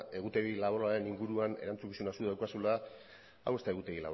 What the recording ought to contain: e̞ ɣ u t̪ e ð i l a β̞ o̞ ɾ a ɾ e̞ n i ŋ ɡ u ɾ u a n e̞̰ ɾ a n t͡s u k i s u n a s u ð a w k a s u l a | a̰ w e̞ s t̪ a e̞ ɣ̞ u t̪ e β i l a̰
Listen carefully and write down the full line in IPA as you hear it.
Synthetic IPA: e̞ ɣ u t̪ e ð i l a β̞ o̞ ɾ a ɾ e̞ n i ŋ ɡ u ɾ u a n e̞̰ ɾ a n t͡s u k i s u n a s u ð a w k a s u l a | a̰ w e̞ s t̪ a e̞ ɣ̞ u t̪ e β i l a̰